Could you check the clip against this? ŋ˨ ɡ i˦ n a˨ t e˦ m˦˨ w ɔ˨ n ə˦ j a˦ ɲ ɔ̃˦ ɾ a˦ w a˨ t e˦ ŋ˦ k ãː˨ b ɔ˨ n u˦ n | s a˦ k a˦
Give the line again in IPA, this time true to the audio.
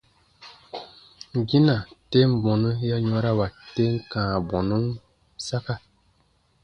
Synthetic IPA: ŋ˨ ɡ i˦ n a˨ t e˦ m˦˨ b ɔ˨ n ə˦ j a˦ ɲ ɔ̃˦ ɾ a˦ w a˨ t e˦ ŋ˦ k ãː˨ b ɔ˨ n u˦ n | s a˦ k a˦

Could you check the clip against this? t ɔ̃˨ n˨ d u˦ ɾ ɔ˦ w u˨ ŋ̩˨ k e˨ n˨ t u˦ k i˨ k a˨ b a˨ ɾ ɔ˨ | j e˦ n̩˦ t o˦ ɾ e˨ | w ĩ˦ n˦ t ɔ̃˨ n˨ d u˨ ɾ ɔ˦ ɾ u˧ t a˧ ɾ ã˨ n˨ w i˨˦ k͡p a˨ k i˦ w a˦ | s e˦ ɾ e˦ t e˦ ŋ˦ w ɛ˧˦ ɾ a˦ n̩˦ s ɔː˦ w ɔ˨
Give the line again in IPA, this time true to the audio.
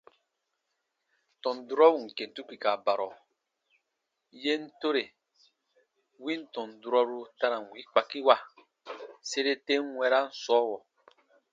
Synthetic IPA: t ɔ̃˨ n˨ d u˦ ɾ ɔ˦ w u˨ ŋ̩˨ k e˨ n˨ t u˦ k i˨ k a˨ b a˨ ɾ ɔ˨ | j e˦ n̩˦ t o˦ ɾ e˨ | w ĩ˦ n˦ t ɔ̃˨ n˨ d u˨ ɾ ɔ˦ ɾ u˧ t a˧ ɾ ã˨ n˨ w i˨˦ k͡p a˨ k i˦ w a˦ | s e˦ ɾ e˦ t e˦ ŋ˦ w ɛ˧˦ ɾ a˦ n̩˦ s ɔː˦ w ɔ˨

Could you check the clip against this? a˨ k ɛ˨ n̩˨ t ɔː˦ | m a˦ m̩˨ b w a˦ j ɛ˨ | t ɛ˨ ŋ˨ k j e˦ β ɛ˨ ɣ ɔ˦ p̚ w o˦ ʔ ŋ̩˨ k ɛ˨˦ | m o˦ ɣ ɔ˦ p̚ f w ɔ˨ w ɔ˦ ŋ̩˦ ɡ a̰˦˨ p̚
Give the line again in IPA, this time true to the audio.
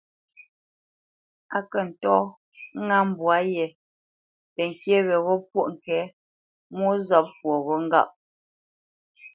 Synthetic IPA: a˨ k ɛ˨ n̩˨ t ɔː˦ | ŋ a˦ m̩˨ b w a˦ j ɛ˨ | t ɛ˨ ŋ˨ k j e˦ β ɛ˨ ɣ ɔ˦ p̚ w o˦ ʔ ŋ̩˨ k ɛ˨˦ | m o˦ z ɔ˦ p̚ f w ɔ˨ ɣ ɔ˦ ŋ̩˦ ɡ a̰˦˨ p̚

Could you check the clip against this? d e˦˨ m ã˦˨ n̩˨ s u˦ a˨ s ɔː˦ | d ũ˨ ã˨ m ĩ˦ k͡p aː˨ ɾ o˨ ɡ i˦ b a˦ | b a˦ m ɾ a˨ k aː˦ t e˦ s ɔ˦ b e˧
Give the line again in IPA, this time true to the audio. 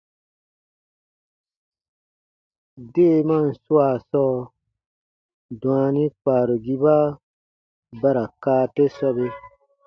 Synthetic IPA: d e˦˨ m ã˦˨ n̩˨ s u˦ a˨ s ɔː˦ | d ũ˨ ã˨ n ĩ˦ k͡p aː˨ ɾ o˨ ɡ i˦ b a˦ | b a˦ ɾ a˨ k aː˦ t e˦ s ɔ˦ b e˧

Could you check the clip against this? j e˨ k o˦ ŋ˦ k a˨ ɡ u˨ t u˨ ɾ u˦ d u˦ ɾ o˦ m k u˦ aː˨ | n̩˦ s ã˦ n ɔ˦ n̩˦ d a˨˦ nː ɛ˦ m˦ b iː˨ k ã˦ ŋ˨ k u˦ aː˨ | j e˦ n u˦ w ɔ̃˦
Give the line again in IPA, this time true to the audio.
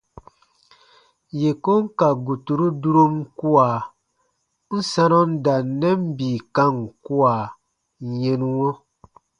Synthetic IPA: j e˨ k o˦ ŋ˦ k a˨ ɡ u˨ t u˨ ɾ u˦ d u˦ ɾ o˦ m k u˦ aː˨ | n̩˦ s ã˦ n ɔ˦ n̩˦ d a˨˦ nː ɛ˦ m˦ b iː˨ k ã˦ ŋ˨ k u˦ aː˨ | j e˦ n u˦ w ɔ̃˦

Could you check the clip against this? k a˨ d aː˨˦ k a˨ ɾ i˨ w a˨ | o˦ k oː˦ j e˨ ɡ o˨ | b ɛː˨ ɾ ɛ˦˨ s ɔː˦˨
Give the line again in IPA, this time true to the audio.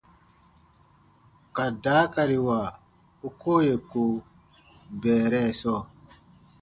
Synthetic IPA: k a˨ d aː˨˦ k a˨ ɾ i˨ w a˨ | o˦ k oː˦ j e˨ k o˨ | b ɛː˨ ɾ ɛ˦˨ s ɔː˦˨

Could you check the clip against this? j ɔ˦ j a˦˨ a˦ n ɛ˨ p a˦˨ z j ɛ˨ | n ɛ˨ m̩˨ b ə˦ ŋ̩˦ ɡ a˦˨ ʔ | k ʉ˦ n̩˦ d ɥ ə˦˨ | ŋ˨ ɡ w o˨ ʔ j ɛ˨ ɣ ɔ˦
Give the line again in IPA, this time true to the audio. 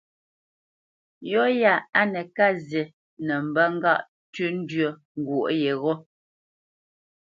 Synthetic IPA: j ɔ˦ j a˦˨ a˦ n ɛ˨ k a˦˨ z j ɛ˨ | n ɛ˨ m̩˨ b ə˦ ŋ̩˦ ɡ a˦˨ ʔ | t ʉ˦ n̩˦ d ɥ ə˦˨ | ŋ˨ ɡ w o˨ ʔ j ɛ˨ ɣ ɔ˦

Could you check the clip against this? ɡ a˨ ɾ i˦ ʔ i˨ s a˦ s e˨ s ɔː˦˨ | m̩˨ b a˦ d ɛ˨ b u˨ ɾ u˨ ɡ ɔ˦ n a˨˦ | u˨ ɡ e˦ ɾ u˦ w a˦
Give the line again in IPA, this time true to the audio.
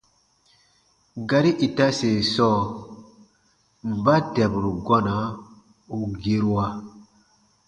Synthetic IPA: ɡ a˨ ɾ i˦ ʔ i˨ t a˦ s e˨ s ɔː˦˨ | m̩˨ b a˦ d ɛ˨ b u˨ ɾ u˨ ɡ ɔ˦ n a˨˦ | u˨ ɡ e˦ ɾ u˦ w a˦

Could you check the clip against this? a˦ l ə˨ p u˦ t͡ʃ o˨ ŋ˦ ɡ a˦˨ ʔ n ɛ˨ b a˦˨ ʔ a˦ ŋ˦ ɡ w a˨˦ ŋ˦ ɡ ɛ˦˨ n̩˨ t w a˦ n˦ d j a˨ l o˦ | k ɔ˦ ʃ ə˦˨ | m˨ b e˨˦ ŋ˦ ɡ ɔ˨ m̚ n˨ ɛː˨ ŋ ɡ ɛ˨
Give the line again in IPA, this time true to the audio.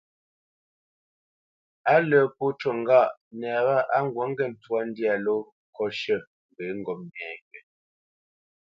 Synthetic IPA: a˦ l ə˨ p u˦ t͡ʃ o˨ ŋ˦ ɡ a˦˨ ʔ n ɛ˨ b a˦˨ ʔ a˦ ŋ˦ ɡ w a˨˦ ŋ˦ ɡ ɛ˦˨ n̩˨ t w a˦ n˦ d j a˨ l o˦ | k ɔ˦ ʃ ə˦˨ | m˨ b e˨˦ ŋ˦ ɡ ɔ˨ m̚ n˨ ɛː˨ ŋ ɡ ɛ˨

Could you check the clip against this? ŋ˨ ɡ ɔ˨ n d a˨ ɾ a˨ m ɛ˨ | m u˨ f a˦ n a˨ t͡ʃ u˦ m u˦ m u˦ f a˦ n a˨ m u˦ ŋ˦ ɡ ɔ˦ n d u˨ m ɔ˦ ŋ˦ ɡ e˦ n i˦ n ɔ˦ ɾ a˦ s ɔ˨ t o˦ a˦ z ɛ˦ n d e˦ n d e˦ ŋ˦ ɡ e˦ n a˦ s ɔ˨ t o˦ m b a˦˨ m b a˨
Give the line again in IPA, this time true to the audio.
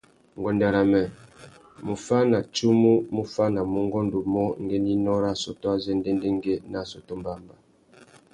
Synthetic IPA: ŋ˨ ɡ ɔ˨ n d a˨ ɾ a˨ m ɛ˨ | m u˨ f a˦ n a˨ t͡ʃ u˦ m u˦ m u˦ f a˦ n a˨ m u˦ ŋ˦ ɡ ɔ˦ n d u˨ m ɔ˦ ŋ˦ ɡ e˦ n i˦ n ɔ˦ ɾ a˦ s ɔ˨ t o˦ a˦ z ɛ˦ n d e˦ n d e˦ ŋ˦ ɡ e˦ n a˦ s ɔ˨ t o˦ m b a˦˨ m b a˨

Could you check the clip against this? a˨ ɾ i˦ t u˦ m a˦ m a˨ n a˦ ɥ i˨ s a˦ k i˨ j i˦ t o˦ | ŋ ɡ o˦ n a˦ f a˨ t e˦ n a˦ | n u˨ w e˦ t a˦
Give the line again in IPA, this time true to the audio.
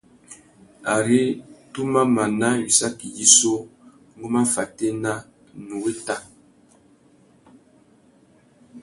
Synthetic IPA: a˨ ɾ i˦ t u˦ m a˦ m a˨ n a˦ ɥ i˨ s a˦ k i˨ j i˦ s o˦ | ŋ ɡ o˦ m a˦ f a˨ t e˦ n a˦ | n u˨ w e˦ t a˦

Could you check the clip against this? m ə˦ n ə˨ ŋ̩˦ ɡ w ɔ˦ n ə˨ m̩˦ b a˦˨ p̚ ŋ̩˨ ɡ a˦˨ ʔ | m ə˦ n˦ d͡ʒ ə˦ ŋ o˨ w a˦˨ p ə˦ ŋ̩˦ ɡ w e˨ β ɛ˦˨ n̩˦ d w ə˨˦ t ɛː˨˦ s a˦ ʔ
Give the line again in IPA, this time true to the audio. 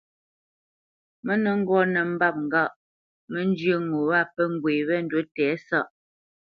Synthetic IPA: m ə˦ n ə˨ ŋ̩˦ ɡ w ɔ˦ n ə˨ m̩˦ b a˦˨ p̚ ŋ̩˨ ɡ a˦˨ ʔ | m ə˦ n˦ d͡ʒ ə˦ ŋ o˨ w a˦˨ p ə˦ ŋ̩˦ ɡ w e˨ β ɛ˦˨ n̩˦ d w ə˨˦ t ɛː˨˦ s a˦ ʔ

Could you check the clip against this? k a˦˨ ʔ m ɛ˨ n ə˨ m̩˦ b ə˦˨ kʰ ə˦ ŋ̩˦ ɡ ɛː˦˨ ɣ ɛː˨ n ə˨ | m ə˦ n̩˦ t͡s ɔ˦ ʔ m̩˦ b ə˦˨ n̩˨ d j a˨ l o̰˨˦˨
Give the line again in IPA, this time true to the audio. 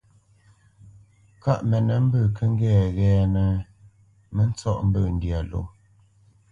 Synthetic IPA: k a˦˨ ʔ m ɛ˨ n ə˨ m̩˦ b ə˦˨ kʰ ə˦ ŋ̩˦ ɡ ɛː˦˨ ɣ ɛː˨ n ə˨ | m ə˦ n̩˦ t͡s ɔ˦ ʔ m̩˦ b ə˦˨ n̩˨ d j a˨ l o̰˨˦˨

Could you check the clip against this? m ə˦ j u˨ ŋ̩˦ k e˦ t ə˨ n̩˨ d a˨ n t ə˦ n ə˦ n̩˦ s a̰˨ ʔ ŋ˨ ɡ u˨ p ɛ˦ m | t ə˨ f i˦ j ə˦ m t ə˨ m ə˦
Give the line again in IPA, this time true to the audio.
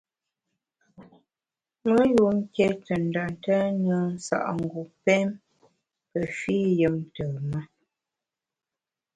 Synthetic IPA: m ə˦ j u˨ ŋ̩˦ k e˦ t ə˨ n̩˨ d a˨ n t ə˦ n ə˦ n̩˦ s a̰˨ ʔ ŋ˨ ɡ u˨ p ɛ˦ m | p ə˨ f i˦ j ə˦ m t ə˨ m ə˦

